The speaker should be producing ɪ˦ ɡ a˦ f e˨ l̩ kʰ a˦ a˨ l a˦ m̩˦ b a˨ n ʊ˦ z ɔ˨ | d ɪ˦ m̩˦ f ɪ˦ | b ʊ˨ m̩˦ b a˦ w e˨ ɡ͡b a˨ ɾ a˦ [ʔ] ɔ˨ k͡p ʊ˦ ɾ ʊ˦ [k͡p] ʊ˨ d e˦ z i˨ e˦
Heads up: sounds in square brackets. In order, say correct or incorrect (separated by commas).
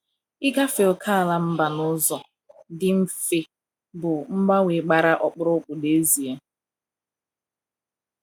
correct, correct